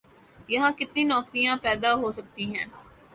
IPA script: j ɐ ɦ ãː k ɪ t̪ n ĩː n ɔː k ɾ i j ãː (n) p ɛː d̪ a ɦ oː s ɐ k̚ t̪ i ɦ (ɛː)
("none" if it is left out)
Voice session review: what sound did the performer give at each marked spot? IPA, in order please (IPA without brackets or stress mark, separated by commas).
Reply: none, ɛ̃ː